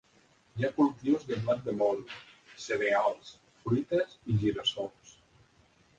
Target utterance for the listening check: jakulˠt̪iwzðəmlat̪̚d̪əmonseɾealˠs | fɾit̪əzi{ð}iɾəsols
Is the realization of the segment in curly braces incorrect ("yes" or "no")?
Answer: yes